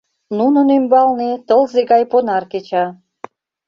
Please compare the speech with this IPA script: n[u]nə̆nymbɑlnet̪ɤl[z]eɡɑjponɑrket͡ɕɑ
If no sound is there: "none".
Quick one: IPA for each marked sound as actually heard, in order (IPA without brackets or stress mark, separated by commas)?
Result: u, z